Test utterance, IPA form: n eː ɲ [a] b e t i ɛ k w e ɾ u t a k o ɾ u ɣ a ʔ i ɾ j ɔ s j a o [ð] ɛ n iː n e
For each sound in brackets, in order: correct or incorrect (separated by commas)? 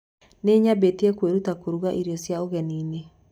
correct, incorrect